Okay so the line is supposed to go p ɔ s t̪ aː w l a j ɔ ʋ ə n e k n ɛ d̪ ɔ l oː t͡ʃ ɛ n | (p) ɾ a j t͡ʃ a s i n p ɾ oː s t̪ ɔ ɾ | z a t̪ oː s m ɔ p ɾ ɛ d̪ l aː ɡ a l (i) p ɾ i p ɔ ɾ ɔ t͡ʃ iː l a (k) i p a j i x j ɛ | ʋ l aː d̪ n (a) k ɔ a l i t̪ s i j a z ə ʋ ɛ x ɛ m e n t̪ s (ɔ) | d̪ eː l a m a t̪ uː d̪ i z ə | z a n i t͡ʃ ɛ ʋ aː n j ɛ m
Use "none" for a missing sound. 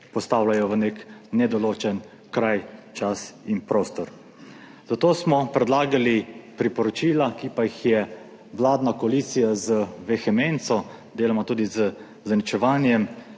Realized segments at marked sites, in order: k, i, k, a, ɔ

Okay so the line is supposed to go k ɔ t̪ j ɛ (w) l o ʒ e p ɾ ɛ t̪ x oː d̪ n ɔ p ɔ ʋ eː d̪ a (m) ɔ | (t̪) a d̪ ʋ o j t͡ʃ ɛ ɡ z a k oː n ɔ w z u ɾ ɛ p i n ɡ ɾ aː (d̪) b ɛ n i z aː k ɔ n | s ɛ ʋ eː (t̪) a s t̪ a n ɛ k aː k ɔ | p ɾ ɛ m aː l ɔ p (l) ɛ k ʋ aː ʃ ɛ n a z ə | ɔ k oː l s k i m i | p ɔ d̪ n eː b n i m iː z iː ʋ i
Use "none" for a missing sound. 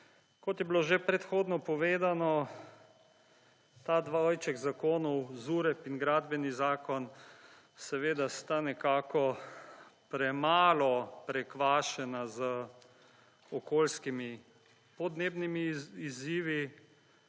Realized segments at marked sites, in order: b, n, t̪, d̪, d̪, ɾ

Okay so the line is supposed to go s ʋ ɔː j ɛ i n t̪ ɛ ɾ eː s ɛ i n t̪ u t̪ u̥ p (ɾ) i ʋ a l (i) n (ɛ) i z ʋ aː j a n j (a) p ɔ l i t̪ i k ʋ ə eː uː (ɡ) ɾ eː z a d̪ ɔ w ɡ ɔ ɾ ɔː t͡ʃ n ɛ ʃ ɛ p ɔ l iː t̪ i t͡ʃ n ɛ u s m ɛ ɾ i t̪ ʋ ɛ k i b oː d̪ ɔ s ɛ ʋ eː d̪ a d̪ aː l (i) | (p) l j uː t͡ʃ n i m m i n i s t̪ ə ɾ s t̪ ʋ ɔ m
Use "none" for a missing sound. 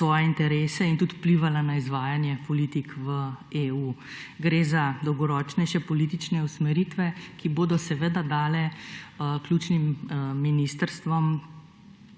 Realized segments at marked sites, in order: l, a, a, ɛ, ɡ, ɛ, k

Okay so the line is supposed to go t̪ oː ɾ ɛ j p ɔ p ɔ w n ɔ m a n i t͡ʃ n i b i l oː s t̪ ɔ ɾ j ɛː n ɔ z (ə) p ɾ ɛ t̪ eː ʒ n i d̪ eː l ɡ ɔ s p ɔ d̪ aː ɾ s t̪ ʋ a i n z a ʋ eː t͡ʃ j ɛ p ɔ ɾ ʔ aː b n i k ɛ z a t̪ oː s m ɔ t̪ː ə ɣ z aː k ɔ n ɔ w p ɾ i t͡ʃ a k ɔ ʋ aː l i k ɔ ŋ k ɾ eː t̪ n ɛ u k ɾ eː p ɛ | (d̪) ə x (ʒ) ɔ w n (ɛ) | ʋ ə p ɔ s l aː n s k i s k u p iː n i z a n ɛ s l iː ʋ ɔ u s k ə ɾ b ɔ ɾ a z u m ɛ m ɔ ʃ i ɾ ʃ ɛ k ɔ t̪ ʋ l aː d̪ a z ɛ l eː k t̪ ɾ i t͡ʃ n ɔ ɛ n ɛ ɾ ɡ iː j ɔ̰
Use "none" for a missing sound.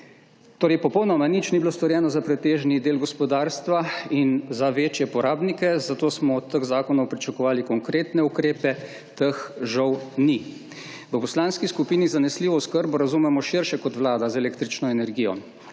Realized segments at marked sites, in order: a, t̪, ʒ, i

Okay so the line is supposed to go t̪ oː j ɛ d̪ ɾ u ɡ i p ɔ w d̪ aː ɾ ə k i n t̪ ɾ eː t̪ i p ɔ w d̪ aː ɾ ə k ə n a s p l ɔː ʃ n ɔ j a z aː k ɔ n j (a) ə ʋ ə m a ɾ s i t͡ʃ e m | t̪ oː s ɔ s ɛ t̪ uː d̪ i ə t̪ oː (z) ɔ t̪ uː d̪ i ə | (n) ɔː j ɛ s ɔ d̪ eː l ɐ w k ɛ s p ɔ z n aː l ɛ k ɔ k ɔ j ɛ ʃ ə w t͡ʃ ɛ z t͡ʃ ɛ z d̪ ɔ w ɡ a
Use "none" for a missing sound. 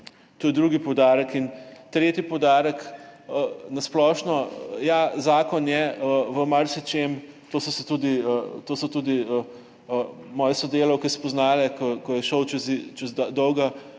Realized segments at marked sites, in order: ɛ, s, m

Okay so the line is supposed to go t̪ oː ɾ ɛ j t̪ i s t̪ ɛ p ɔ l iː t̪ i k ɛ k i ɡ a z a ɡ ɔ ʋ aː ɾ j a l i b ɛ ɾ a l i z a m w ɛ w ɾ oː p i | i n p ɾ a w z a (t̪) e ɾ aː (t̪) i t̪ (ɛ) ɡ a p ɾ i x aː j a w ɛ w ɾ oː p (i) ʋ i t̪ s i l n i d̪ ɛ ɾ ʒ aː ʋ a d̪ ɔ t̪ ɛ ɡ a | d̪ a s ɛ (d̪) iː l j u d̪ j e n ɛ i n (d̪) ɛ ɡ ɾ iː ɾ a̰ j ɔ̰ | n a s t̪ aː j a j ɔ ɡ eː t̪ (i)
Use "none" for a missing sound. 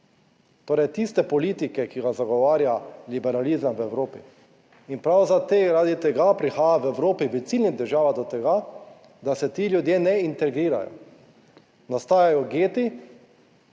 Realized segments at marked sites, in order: t̪, d̪, ɛ, i, t̪, t̪, i

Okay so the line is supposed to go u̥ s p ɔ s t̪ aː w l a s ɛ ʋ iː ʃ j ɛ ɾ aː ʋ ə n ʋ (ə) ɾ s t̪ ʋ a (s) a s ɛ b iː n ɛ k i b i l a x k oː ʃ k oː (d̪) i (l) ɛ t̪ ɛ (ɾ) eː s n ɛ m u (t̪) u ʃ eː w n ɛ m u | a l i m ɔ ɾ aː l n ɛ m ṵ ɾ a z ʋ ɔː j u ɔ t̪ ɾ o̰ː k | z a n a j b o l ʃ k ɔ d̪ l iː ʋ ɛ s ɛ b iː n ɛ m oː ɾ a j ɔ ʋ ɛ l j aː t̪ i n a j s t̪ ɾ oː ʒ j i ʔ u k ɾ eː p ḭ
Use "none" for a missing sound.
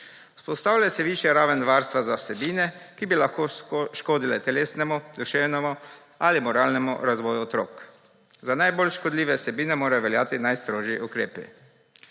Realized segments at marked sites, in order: a, z, d̪, l, l, d̪

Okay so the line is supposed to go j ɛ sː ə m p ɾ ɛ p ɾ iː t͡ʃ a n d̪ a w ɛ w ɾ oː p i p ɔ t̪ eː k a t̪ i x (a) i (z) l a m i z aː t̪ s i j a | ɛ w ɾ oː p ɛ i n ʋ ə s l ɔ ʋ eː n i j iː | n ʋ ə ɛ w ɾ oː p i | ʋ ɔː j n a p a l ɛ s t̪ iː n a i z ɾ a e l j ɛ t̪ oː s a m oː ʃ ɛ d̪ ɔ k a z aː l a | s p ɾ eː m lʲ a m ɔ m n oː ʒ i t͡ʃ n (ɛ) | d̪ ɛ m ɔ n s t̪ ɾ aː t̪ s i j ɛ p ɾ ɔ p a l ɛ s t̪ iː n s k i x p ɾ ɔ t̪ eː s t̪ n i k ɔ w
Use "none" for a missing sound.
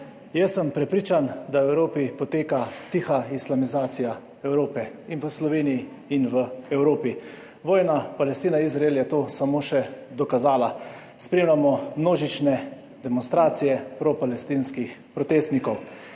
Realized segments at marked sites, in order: a, s, ɛ

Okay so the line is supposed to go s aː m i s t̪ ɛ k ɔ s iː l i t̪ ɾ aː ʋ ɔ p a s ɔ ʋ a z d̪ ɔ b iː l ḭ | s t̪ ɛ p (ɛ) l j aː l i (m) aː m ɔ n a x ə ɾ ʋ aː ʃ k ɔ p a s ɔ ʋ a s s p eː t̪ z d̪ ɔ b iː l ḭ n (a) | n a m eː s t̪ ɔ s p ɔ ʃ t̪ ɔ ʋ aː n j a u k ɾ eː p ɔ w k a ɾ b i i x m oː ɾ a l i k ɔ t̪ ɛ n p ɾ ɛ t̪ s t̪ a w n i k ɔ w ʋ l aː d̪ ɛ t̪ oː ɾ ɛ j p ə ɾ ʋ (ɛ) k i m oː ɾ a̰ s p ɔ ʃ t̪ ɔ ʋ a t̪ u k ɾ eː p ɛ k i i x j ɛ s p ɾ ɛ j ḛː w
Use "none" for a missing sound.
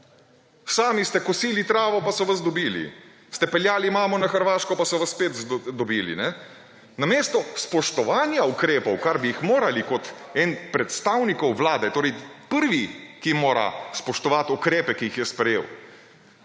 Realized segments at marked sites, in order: ɛ, m, ɛ, i

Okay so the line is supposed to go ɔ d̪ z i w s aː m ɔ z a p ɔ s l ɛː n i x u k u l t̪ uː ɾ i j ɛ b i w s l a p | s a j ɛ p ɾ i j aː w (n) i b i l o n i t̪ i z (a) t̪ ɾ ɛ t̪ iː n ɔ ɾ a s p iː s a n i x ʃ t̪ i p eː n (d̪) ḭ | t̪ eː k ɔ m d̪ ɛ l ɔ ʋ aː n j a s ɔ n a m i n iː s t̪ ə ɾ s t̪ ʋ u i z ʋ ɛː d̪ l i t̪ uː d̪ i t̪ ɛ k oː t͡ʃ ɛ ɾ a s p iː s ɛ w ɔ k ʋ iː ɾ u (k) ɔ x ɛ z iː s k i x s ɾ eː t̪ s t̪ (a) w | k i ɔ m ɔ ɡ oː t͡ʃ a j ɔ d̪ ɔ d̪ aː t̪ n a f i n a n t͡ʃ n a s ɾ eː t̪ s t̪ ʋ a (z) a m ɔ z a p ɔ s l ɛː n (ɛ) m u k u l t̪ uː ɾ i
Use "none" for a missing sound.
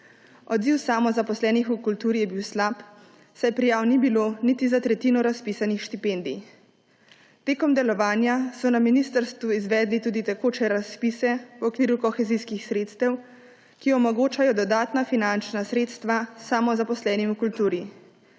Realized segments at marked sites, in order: n, a, d̪, k, ɛ, s, i

